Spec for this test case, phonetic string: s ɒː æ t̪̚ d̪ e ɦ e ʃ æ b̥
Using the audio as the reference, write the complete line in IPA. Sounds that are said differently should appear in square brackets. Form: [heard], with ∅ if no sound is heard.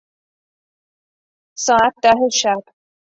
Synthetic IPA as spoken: s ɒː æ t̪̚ d̪ [æ] ɦ e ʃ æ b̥

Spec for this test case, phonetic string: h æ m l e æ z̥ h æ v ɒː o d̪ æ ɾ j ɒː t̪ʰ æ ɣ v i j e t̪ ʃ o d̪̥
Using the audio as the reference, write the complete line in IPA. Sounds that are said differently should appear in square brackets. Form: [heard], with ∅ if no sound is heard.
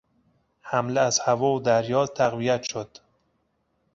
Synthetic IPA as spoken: h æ m l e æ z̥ h æ v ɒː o d̪ æ ɾ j ɒː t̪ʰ æ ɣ v i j [æ] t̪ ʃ o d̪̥

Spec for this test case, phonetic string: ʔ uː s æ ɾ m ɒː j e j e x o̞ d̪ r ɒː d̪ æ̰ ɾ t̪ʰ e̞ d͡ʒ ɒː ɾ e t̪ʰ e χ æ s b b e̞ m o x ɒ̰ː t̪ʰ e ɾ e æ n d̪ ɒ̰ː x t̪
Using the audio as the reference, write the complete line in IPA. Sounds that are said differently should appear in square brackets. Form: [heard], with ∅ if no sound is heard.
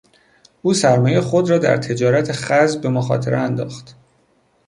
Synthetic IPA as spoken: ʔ uː s æ ɾ m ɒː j e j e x o̞ d̪ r ɒː d̪ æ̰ ɾ t̪ʰ e̞ d͡ʒ ɒː ɾ [æ] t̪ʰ e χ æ [z] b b e̞ m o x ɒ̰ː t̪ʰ e ɾ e æ n d̪ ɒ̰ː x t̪

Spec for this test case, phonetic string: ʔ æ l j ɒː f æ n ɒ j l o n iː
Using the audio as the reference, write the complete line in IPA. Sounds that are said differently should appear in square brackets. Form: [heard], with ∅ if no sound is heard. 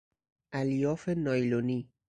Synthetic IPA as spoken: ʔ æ l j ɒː f [e] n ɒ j l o n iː

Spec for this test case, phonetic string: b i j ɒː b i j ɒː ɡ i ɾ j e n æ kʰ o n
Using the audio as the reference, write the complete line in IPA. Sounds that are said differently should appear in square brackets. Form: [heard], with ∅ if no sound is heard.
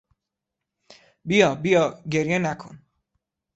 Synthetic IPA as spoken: b i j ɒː b i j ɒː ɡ [e] ɾ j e n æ kʰ o n

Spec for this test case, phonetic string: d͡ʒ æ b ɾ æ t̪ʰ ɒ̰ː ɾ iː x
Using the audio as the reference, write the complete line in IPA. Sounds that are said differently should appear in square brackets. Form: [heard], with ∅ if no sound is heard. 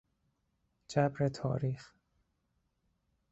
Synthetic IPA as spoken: d͡ʒ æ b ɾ [e] t̪ʰ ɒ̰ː ɾ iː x

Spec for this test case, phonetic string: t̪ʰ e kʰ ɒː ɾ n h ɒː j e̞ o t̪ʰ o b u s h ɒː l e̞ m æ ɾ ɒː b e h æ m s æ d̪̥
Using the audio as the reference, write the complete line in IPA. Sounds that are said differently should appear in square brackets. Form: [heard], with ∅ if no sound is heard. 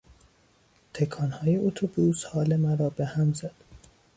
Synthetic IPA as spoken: t̪ʰ e kʰ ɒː [∅] n h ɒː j e̞ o t̪ʰ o b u s h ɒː l e̞ m æ ɾ ɒː b e h æ m [z] æ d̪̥

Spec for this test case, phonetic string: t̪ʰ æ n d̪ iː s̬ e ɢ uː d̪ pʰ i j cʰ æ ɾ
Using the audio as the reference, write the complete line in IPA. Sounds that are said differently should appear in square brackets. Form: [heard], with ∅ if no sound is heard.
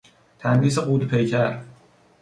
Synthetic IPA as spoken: t̪ʰ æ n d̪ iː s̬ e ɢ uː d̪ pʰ [e] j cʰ æ ɾ

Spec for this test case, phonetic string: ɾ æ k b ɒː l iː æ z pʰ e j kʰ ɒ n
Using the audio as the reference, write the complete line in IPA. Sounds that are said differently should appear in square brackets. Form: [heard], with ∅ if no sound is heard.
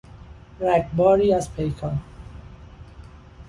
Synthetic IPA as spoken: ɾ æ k b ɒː [ɾ] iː æ z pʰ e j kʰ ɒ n

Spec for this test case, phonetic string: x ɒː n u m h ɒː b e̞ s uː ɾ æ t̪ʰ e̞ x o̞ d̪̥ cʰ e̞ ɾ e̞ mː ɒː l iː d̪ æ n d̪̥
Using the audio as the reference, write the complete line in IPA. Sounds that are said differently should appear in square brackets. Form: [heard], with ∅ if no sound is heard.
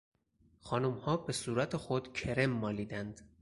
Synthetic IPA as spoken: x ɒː n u m h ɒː b e̞ s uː ɾ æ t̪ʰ e̞ x o̞ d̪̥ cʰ e̞ ɾ e̞ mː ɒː l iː d̪ æ n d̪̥

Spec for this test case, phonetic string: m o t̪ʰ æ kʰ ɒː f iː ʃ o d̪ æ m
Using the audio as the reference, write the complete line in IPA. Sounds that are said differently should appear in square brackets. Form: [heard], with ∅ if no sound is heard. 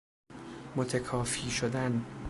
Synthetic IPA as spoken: m o t̪ʰ [e] kʰ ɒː f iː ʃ o d̪ æ [n]

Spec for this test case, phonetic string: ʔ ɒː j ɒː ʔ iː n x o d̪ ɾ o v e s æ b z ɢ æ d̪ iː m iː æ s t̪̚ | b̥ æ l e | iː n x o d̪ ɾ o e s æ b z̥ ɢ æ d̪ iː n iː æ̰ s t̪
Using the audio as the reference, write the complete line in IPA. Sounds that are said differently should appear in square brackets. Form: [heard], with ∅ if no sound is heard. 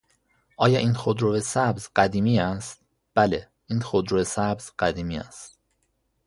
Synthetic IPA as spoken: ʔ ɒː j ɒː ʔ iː n x o d̪ ɾ o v e s æ b z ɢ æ d̪ iː m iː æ s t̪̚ | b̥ æ l e | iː n x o d̪ ɾ o e s æ b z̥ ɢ æ d̪ iː [m] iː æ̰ s t̪

